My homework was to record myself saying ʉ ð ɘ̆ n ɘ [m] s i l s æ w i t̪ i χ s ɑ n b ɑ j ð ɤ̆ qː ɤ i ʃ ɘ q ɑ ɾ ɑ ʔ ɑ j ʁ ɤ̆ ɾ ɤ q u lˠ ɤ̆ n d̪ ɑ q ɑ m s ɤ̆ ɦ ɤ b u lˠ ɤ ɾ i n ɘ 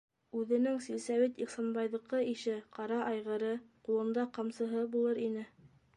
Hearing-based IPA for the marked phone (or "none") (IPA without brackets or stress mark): ŋ